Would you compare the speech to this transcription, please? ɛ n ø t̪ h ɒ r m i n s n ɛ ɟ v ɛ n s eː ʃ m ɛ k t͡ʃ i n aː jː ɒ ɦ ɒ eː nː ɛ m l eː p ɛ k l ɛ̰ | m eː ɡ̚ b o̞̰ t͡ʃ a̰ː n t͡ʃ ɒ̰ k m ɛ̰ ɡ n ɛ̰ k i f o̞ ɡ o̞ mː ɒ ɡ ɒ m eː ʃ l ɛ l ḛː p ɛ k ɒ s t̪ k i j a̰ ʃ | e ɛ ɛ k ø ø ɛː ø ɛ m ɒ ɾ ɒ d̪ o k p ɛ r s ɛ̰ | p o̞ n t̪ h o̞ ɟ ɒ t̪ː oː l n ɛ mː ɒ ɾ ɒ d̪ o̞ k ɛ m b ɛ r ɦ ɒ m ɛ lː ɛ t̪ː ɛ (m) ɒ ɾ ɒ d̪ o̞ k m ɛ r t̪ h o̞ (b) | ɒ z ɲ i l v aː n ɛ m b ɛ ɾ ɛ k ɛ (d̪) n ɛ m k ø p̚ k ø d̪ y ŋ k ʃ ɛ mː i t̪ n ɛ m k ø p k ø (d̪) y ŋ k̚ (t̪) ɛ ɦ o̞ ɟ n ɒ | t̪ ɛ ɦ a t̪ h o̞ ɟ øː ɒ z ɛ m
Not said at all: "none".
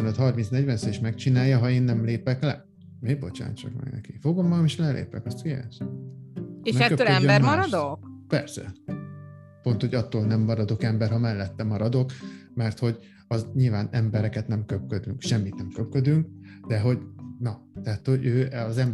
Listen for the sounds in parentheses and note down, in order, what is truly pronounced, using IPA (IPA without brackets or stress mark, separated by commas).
m, ɟ, t̪, d̪, d̪